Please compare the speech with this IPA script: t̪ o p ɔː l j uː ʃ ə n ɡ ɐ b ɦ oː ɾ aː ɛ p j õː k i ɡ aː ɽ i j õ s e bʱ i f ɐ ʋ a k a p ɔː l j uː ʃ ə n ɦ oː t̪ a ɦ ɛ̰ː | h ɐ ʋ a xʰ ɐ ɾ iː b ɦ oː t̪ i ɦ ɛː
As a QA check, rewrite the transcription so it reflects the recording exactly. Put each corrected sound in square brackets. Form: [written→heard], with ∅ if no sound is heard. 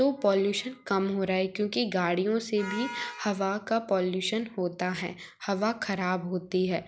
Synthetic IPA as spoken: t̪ o p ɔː l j uː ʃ ə n [ɡ→k] ɐ [b→m] ɦ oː ɾ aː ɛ [p→k] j õː k i ɡ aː ɽ i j õ s e bʱ i [f→h] ɐ ʋ a k a p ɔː l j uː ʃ ə n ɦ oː t̪ a ɦ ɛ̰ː | h ɐ ʋ a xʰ ɐ ɾ [iː→aː] b ɦ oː t̪ i ɦ ɛː

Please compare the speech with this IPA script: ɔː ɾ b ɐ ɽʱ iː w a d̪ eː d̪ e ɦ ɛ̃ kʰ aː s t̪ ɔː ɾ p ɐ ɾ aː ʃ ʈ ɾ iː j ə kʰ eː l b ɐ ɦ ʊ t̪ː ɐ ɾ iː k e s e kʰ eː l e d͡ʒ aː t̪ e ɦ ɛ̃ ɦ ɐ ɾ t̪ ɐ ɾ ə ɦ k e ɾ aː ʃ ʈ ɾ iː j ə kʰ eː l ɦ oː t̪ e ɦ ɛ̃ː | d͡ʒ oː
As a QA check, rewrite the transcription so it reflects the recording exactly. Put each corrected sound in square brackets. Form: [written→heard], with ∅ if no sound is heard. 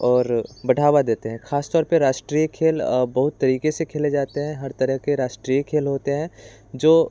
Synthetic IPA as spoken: ɔː ɾ b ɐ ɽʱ [iː→aː] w a d̪ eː [d̪→t̪] e ɦ ɛ̃ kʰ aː s t̪ ɔː ɾ p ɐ ɾ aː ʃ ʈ ɾ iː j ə kʰ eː l b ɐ ɦ ʊ t̪ː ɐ ɾ iː k e s e kʰ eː l e d͡ʒ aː t̪ e ɦ ɛ̃ ɦ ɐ ɾ t̪ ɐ ɾ ə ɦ k e ɾ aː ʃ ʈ ɾ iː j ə kʰ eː l ɦ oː t̪ e ɦ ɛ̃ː | d͡ʒ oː

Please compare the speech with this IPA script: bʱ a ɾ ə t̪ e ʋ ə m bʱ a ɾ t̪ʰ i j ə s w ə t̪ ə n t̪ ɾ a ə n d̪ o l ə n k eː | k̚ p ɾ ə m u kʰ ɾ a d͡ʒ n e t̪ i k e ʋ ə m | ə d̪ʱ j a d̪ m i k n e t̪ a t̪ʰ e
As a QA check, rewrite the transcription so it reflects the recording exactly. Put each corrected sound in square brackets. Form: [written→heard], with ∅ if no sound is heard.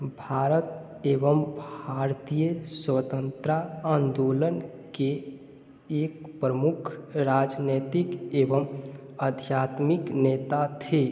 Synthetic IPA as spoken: bʱ a ɾ ə t̪ e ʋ ə m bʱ a ɾ [t̪ʰ→t̪] i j ə s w ə t̪ ə n t̪ ɾ a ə n d̪ o l ə n k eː | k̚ p ɾ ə m u kʰ ɾ a d͡ʒ n e t̪ i k e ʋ ə m | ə d̪ʱ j a [d̪→t̪] m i k n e t̪ a t̪ʰ e

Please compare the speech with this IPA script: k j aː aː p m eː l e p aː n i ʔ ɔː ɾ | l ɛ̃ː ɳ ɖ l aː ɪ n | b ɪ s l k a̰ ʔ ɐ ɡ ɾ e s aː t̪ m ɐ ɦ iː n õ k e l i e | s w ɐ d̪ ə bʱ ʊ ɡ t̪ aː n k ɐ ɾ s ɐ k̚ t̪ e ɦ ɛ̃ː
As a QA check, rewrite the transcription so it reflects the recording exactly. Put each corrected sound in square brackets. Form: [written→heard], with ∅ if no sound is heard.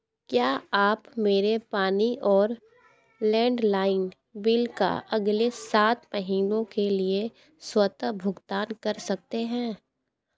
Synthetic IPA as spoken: k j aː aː p m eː [l→ɾ] e p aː n i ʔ ɔː ɾ | l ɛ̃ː ɳ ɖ l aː ɪ n | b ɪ [s→∅] l k a̰ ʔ ɐ ɡ [ɾ→l] e s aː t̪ m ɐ ɦ iː n õ k e l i e | s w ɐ [d̪→t̪] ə bʱ ʊ ɡ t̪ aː n k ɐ ɾ s ɐ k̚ t̪ e ɦ ɛ̃ː

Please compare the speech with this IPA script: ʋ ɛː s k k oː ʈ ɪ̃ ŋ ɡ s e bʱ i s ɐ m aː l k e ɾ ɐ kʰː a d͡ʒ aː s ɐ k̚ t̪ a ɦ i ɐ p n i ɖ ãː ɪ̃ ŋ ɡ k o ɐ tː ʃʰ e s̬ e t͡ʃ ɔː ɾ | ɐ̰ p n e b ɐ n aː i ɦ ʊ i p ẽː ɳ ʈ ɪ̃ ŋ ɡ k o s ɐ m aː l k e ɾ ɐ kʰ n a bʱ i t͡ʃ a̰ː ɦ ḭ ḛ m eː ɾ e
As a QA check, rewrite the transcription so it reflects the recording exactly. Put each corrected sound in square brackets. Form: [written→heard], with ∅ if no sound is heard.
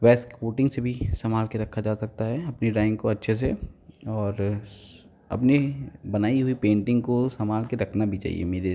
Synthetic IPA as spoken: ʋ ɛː s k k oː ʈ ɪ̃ ŋ ɡ s e bʱ i s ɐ m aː l k e ɾ ɐ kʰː a d͡ʒ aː s ɐ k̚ t̪ a ɦ [i→ɛ] ɐ p n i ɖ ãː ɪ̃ ŋ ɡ k o ɐ tː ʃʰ e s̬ e [t͡ʃ→∅] ɔː ɾ | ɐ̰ p n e b ɐ n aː i ɦ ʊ i p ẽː ɳ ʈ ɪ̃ ŋ ɡ k o s ɐ m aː l k e ɾ ɐ kʰ n a bʱ i t͡ʃ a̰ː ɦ ḭ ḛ m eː ɾ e

